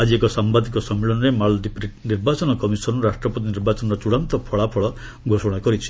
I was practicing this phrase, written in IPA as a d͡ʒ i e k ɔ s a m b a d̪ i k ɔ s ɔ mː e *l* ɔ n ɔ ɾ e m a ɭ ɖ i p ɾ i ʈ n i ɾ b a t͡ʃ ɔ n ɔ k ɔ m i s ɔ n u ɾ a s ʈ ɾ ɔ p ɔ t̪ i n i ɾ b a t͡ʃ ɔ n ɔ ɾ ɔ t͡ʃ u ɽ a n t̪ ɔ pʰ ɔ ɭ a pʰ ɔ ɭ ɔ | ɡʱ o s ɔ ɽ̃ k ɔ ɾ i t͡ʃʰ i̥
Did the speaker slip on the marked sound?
yes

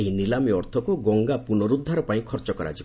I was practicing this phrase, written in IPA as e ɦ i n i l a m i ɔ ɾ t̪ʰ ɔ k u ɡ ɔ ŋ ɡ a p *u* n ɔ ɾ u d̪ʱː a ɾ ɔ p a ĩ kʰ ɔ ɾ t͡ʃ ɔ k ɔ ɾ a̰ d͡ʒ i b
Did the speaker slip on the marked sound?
no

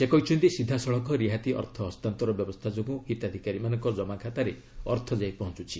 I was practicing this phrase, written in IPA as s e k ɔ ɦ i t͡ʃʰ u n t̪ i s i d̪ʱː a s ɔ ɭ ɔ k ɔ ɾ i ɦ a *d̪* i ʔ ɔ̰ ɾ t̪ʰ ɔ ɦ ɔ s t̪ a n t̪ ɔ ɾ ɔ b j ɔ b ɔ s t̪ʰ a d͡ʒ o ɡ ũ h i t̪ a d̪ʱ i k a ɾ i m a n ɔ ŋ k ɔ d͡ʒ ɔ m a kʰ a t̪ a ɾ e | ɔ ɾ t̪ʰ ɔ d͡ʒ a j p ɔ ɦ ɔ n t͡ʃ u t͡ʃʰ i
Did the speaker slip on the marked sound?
yes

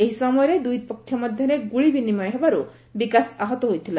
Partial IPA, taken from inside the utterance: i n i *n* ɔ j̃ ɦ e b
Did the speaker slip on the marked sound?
yes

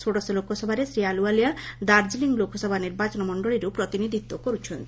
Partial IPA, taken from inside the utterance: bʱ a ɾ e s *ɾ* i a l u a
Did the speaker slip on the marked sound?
no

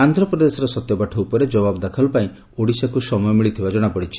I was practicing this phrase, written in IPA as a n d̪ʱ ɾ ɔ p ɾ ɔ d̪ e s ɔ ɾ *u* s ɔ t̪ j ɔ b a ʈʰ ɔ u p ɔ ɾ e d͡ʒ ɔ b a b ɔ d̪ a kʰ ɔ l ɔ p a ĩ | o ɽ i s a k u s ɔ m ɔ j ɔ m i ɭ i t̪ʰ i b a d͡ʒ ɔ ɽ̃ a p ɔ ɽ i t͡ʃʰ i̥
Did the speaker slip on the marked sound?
yes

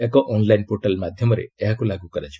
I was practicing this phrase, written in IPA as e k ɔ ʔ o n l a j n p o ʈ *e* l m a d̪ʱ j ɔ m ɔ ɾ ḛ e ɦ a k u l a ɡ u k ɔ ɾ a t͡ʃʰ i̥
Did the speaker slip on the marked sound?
yes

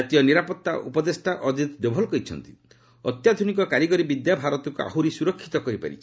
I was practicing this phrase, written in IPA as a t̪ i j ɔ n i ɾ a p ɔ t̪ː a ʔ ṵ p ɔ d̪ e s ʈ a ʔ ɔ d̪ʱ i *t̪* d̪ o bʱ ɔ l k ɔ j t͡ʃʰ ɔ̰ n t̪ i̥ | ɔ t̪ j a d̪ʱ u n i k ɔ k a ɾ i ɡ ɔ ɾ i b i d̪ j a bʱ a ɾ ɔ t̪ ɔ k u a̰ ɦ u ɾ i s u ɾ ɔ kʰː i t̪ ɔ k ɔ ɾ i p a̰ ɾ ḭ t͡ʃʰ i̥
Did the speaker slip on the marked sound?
no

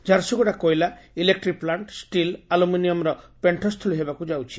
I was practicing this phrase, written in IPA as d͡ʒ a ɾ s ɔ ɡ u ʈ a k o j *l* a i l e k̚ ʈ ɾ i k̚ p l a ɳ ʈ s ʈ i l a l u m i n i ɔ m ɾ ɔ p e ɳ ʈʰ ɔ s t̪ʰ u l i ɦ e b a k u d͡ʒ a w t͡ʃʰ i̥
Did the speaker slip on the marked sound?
no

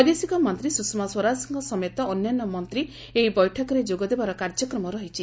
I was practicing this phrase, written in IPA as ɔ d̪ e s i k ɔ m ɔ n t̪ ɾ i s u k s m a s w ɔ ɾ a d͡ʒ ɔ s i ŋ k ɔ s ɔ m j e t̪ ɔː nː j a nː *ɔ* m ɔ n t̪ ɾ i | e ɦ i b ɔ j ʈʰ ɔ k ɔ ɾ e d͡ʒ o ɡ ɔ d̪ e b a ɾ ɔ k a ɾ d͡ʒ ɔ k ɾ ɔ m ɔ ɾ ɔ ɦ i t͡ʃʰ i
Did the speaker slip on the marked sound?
no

